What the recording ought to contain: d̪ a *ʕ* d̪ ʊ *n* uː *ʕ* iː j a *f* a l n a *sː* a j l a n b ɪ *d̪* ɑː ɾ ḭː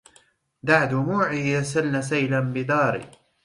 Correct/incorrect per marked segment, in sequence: correct, incorrect, correct, incorrect, incorrect, correct

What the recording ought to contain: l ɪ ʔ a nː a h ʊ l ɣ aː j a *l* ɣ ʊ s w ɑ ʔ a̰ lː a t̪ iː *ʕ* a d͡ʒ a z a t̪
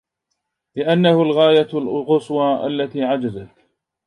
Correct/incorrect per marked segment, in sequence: correct, correct

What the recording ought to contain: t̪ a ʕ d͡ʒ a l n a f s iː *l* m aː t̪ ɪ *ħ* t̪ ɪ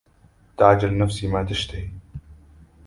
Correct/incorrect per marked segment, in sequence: incorrect, incorrect

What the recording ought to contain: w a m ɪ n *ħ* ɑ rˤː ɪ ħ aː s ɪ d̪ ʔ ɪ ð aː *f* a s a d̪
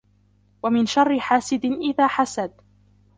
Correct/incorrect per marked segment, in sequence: incorrect, incorrect

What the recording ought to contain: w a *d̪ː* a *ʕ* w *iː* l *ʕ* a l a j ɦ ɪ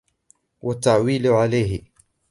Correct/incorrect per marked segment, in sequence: incorrect, correct, correct, correct

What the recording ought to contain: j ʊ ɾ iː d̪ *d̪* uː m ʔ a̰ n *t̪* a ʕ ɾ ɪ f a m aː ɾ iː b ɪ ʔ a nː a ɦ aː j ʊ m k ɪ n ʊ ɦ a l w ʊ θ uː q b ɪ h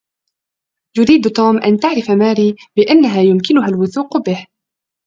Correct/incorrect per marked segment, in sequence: incorrect, correct

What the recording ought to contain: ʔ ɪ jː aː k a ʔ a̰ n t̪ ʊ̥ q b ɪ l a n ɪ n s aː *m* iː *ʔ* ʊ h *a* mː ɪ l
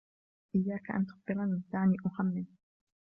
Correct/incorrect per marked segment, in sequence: incorrect, correct, correct

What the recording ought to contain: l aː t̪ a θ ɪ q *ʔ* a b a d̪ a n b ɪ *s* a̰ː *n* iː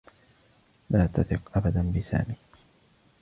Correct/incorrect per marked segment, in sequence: correct, correct, incorrect

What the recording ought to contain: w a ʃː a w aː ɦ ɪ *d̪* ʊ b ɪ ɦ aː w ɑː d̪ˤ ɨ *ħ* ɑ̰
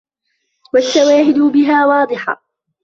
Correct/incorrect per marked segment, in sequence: correct, correct

